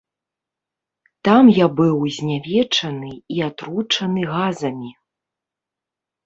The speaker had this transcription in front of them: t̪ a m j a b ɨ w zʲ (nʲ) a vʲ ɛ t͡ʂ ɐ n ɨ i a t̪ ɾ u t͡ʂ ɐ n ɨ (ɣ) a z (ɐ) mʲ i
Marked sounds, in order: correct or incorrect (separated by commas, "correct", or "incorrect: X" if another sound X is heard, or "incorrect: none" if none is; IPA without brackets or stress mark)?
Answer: correct, correct, correct